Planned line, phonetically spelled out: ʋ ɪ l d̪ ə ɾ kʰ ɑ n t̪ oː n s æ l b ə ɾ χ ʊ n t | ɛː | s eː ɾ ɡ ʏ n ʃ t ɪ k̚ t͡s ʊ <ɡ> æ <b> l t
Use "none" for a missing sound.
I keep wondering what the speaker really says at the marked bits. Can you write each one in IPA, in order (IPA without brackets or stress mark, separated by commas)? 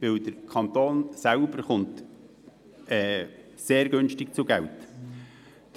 ɡ, none